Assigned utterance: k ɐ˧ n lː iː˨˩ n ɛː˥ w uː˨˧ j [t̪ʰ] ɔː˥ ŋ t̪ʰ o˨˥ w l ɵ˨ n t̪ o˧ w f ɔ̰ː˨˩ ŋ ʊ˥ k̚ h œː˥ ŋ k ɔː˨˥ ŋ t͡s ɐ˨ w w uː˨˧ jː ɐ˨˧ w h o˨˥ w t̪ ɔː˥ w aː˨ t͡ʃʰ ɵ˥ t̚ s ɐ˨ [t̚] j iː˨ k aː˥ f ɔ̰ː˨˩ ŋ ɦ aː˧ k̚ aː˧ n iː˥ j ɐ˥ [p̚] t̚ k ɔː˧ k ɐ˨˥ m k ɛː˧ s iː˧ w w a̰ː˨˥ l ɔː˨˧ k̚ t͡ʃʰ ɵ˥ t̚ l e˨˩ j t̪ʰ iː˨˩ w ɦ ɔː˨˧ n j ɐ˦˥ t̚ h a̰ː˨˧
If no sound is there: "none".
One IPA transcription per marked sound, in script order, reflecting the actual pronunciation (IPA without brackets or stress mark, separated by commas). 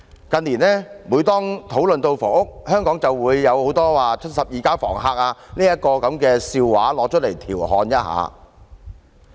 t̪, p̚, none